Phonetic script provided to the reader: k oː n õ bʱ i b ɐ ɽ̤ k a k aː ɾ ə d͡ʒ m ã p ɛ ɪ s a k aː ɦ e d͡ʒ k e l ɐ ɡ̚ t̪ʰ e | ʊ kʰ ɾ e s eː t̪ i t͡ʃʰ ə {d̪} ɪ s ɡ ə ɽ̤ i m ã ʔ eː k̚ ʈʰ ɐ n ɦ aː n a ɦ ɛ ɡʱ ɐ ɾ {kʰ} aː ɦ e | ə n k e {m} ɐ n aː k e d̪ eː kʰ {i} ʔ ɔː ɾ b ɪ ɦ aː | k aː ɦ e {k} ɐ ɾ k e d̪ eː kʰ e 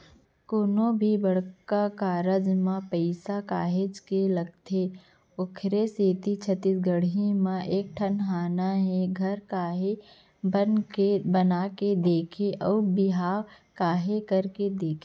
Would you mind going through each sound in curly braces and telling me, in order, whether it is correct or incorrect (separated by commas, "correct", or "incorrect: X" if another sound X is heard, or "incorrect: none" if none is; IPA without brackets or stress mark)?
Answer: incorrect: t̪, incorrect: k, incorrect: b, incorrect: e, correct